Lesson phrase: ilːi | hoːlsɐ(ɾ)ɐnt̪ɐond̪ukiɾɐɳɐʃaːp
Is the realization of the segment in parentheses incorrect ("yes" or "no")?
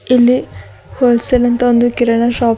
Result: yes